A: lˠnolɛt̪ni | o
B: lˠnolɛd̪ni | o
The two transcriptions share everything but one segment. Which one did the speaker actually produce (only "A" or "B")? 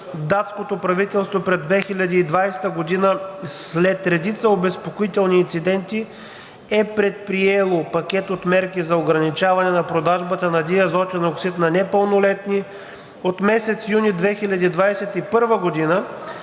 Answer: A